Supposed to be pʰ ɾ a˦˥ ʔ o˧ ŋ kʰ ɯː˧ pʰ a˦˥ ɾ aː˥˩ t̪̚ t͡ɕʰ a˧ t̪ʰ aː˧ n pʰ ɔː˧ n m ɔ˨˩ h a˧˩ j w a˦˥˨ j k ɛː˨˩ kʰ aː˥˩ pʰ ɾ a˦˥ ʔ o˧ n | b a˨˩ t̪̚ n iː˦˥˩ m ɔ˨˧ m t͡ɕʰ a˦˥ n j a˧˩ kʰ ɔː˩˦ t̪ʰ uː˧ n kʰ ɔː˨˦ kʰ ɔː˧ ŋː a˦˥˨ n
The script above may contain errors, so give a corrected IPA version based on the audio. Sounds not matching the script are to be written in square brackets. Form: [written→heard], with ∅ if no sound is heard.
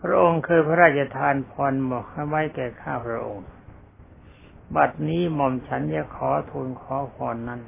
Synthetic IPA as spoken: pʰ ɾ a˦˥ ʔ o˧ ŋ kʰ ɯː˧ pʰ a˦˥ ɾ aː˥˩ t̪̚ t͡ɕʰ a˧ t̪ʰ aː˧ n pʰ ɔː˧ n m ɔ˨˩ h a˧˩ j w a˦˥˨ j k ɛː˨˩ kʰ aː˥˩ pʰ ɾ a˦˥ ʔ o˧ [n→ŋ] | b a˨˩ t̪̚ n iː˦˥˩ m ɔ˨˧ m t͡ɕʰ a˦˥ n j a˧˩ kʰ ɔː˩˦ t̪ʰ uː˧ n kʰ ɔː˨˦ [kʰ→pʰ] ɔː˧ [ŋː→nː] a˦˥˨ n